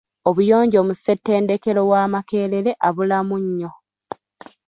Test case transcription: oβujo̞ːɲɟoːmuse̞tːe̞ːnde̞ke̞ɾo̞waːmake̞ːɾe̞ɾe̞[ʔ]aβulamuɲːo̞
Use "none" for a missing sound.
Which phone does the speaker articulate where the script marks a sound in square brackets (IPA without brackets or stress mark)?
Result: ʔ